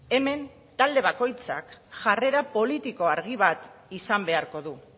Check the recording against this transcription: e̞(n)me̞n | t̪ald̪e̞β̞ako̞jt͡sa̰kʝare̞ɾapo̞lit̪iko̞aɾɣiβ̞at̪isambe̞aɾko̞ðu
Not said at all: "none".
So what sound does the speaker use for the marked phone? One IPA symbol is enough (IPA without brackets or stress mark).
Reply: none